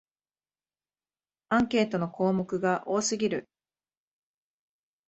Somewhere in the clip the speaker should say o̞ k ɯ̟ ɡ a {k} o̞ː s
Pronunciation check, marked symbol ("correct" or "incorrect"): incorrect